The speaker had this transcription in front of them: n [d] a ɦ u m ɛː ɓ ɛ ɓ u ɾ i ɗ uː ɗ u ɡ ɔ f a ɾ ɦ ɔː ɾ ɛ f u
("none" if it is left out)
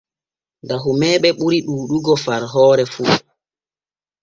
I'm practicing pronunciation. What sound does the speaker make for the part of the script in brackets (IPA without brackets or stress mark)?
d